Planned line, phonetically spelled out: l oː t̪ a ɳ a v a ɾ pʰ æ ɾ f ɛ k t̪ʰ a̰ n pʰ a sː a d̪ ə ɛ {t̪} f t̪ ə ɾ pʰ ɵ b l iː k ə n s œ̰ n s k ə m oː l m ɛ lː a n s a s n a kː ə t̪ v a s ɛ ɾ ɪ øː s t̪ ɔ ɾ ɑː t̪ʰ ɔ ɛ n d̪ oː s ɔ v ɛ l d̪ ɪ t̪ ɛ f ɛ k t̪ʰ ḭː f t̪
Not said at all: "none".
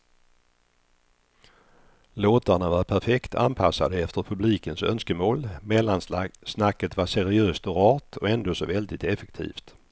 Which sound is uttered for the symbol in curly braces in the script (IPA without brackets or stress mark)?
none